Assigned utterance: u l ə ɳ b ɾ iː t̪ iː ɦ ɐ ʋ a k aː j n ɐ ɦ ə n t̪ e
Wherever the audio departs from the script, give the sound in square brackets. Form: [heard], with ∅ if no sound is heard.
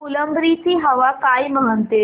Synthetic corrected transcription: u l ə [m] b ɾ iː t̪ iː ɦ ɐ ʋ a k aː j [m] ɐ ɦ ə n t̪ e